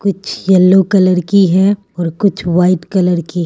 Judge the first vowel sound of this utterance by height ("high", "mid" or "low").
high